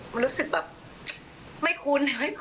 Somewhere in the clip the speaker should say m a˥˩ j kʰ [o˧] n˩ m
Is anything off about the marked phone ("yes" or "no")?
yes